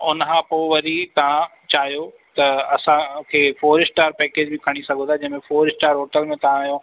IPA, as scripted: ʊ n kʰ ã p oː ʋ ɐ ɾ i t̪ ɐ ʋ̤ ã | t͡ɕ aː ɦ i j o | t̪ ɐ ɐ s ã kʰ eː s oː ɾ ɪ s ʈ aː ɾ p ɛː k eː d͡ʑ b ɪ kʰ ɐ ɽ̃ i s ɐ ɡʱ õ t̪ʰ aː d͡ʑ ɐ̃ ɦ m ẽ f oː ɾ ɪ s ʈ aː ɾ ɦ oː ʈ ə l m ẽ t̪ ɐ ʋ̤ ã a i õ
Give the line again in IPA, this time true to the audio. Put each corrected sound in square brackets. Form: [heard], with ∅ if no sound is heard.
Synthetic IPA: ʊ n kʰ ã p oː ʋ ɐ ɾ i t̪ ɐ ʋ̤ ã | t͡ɕ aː ɦ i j o | t̪ ɐ ɐ s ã kʰ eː [f] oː ɾ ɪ s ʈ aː ɾ p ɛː k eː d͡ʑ b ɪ kʰ ɐ ɽ̃ i s ɐ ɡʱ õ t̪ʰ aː d͡ʑ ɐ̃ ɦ m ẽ f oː ɾ ɪ s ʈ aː ɾ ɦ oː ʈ ə l m ẽ t̪ ɐ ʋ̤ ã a [j] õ